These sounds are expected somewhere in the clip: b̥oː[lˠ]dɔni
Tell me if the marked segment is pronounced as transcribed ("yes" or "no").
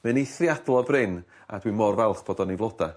no